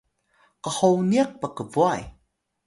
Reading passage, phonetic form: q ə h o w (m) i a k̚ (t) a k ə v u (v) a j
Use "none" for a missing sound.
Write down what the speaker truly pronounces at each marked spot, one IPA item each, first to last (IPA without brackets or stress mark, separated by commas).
n, p, none